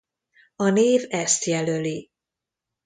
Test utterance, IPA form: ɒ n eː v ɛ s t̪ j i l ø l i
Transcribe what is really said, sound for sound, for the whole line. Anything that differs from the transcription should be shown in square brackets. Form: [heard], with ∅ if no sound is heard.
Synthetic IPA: ɒ n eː v ɛ s t̪ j [ɛ] l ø l i